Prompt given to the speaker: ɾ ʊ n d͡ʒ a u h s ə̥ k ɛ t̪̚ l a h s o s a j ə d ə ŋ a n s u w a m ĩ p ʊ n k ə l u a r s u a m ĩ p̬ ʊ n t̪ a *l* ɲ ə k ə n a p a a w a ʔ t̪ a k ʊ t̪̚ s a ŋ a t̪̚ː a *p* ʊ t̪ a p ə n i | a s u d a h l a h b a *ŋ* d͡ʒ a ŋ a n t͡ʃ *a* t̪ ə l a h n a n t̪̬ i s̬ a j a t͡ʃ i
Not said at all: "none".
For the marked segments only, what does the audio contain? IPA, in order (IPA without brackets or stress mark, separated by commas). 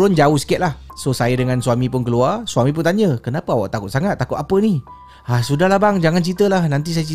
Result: none, k, ŋ, i